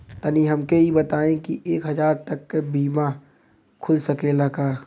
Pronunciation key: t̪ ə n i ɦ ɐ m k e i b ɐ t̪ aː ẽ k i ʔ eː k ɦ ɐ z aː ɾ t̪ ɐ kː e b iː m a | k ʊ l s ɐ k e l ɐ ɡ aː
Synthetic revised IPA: t̪ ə n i ɦ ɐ m k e i b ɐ t̪ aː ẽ k i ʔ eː k ɦ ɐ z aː ɾ t̪ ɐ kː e b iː m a | kʰ ʊ l s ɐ k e l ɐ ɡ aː